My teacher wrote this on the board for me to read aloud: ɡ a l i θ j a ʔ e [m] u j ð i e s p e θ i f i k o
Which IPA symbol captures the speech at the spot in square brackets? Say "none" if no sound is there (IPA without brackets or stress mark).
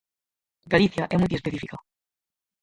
m